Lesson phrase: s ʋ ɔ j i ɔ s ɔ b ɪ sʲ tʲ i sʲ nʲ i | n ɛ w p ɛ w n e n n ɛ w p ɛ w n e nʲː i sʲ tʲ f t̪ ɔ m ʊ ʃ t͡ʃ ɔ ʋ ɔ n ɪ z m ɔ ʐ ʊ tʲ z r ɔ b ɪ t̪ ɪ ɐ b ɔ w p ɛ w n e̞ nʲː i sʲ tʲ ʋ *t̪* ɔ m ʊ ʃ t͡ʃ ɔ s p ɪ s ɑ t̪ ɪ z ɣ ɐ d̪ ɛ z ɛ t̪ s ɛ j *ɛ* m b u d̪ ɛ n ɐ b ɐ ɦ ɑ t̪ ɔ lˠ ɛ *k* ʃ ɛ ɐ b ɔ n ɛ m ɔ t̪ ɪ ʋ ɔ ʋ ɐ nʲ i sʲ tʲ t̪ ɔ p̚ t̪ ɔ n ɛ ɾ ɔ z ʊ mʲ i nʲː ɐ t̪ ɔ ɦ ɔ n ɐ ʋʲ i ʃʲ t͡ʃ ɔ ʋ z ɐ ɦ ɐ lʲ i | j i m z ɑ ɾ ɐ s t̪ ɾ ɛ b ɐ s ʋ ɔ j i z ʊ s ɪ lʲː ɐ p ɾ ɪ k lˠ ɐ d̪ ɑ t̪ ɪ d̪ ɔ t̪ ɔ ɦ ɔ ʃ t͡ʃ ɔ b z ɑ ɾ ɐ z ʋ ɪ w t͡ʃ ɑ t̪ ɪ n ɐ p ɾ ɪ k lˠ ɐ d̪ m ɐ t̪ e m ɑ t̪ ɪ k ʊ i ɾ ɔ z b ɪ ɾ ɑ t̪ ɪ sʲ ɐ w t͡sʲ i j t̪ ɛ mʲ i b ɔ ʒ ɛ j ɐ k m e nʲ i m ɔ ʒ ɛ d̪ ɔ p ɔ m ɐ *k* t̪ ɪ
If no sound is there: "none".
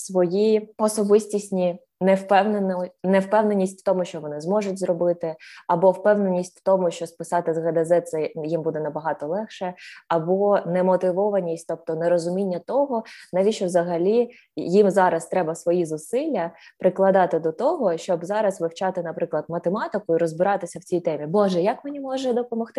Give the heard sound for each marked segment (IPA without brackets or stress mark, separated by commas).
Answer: t̪, i, x, x